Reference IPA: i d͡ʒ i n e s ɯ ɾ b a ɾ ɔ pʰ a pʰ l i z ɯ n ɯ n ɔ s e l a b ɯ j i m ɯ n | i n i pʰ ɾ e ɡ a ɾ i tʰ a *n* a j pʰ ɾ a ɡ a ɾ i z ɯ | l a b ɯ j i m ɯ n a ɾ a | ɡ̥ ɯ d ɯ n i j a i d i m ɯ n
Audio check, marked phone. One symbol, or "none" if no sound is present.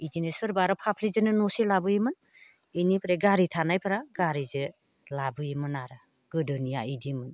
n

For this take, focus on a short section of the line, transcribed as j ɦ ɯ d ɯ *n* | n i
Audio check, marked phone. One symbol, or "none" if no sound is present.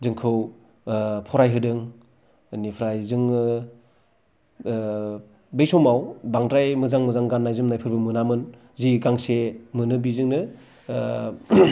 ŋ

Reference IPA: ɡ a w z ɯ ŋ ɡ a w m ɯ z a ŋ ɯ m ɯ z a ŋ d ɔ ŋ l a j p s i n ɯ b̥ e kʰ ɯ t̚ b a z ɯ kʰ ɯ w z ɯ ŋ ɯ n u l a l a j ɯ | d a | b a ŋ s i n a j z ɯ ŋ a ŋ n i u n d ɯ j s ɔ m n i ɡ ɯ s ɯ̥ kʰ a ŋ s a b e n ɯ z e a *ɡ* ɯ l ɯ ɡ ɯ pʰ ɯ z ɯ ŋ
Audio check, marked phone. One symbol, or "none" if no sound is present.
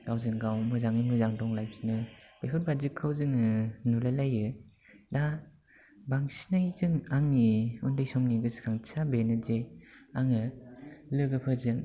ŋ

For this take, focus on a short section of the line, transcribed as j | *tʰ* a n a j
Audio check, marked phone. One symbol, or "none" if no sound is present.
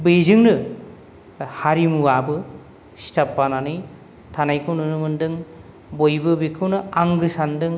tʰ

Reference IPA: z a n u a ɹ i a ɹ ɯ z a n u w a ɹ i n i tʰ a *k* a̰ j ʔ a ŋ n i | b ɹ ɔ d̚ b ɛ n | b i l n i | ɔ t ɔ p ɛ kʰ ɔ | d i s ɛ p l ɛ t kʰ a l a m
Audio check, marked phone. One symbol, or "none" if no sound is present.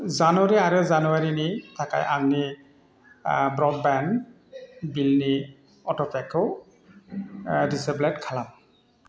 k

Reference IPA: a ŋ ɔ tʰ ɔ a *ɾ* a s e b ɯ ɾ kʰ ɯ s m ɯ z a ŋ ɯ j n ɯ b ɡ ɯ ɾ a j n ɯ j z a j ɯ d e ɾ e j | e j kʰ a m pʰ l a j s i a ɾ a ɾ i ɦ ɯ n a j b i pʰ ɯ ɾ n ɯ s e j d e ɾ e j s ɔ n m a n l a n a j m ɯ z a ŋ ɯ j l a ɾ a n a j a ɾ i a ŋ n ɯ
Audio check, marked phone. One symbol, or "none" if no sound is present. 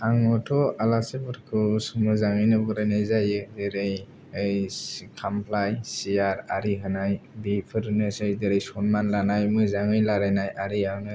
l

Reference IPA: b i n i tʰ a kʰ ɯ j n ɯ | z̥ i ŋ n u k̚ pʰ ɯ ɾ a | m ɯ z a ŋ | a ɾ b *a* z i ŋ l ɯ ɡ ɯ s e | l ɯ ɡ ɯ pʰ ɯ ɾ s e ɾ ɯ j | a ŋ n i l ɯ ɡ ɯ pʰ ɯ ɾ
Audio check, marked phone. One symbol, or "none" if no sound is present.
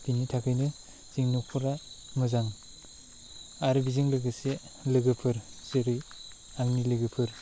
i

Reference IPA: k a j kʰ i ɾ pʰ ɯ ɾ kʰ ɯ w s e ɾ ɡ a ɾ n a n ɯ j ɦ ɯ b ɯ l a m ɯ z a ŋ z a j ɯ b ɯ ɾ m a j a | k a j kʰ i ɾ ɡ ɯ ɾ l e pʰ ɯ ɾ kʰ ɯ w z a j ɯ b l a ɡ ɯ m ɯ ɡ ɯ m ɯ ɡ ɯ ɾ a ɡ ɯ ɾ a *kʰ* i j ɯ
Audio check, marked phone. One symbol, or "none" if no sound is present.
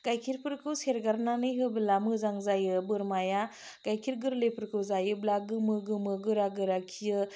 kʰ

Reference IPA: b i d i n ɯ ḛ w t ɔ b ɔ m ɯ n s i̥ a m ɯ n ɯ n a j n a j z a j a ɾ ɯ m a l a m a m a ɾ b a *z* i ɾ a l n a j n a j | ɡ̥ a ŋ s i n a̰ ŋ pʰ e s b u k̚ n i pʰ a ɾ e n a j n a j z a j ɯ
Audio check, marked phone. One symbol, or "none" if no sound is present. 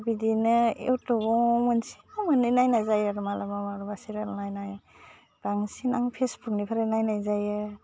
s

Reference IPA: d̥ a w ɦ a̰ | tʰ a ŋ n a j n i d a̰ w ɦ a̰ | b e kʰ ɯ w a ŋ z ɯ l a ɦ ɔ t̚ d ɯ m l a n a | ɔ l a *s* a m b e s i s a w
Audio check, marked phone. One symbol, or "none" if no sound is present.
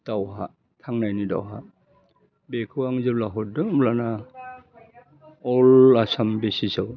s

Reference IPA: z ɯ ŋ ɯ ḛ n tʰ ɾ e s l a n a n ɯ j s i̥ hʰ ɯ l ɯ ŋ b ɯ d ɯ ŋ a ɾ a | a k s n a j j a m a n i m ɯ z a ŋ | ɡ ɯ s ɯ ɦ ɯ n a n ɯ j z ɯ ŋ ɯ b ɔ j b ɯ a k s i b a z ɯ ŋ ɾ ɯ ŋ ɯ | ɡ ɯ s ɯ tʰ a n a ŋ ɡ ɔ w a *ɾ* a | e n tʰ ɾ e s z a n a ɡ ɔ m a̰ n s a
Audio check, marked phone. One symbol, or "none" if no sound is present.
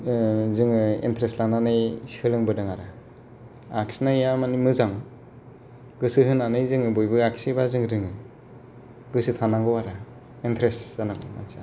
ɾ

